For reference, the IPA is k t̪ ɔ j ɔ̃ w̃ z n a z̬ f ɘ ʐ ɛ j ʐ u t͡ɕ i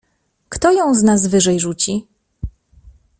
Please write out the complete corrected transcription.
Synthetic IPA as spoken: k t̪ ɔ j ɔ̃ w̃ z n a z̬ v ɘ ʐ ɛ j ʐ u t͡ɕ i